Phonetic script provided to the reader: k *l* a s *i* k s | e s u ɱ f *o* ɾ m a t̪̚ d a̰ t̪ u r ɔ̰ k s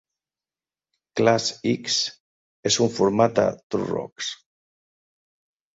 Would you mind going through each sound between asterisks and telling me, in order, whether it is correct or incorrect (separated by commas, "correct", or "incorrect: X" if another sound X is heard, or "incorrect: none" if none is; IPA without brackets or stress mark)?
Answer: correct, correct, incorrect: u